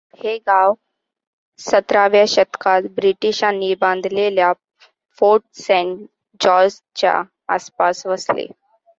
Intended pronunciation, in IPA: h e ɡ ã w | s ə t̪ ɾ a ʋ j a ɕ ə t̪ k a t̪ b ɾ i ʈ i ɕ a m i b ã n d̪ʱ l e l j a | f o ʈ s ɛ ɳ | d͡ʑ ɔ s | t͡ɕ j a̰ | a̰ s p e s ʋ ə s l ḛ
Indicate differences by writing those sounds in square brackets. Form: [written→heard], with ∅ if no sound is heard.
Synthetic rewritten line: h e ɡ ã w | s ə t̪ ɾ a ʋ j a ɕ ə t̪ k a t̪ b ɾ i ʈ i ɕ a [m→n] i b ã n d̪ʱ l e l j a | f o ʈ s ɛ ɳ | d͡ʑ ɔ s | t͡ɕ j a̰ | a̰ s p [e→a] s ʋ ə s l ḛ